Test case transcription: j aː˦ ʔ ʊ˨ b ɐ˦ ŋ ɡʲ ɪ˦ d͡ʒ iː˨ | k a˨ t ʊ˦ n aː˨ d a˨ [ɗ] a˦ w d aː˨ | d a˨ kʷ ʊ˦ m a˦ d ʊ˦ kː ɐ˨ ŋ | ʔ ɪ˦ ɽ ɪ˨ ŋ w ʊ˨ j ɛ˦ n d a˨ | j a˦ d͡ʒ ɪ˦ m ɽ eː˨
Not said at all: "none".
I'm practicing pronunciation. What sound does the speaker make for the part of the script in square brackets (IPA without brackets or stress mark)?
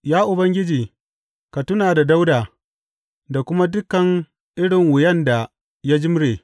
d